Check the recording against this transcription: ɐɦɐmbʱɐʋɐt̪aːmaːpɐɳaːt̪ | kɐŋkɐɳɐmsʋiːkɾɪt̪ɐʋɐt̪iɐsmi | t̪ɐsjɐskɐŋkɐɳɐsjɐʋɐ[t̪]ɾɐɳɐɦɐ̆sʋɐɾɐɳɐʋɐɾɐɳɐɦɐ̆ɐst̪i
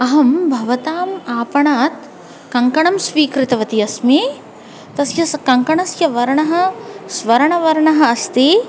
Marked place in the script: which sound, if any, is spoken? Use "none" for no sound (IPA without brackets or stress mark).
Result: none